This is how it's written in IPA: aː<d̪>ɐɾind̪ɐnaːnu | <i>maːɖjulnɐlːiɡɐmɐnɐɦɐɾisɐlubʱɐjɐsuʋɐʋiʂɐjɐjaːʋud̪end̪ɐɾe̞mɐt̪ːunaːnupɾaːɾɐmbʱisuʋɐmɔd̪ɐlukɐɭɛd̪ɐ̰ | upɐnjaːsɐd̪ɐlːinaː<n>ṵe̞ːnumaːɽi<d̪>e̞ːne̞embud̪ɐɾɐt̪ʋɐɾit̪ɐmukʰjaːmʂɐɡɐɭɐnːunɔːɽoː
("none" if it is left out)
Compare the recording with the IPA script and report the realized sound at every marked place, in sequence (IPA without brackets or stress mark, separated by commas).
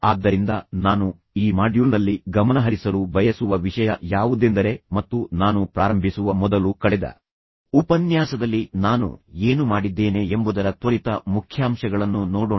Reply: d̪ː, iː, n, d̪ː